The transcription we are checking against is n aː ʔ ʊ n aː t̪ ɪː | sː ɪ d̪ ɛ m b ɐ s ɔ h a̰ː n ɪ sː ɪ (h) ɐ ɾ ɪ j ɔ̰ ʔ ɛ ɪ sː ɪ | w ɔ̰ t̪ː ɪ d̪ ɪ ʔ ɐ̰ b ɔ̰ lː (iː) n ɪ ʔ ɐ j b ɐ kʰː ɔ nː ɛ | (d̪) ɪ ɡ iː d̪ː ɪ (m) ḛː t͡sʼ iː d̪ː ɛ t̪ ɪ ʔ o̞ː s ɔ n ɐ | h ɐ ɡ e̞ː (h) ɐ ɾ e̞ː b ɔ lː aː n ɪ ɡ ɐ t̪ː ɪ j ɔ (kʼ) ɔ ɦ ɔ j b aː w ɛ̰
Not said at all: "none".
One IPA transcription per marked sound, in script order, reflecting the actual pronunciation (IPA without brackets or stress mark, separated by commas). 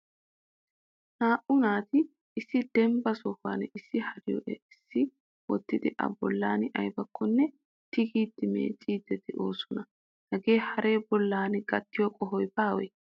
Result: h, aː, t̪, m, h, kʼ